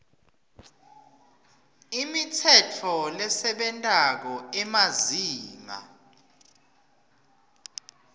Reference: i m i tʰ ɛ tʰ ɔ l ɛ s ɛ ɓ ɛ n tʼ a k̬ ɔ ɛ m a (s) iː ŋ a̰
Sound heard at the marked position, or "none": z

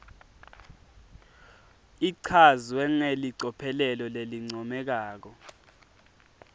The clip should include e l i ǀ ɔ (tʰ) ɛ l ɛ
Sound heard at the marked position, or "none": pʰ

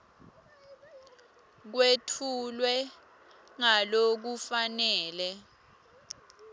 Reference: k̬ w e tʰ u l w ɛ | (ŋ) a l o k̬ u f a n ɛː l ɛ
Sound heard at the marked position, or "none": ŋ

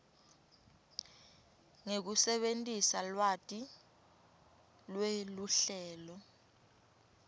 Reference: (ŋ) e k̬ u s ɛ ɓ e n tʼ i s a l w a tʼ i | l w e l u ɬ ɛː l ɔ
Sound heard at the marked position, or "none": ŋ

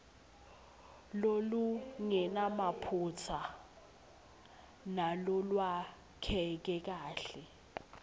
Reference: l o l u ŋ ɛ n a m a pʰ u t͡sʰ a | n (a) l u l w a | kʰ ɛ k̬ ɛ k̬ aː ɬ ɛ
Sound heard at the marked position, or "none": a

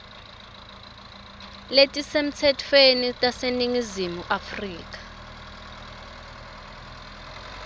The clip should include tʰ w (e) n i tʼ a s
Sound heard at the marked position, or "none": e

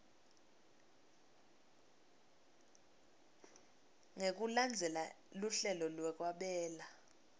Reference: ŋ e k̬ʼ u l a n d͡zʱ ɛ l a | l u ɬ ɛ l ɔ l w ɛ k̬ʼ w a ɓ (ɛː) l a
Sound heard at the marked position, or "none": ɛː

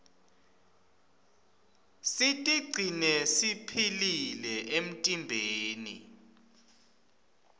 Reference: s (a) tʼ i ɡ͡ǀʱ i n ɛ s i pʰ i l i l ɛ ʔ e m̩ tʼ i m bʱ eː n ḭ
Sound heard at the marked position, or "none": i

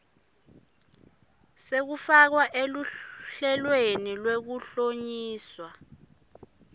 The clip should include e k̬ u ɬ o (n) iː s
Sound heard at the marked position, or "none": ɲ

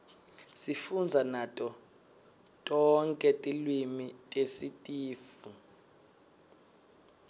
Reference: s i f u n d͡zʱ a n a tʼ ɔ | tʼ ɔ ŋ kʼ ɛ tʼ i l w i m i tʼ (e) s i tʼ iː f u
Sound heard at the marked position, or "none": e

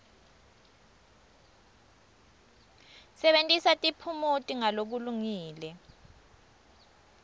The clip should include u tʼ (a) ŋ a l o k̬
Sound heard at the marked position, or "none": i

